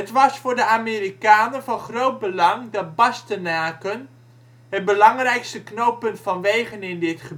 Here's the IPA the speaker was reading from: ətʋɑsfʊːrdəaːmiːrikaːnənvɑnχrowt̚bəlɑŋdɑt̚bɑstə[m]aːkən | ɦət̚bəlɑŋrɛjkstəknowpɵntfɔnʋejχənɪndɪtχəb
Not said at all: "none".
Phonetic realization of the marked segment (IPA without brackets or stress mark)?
n